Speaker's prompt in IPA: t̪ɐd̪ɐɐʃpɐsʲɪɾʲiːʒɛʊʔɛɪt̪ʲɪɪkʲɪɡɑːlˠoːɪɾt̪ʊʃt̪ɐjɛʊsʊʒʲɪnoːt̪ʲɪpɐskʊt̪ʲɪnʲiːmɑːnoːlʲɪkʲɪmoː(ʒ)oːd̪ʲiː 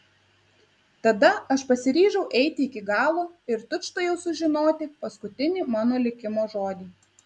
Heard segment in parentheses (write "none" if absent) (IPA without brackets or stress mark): ʒ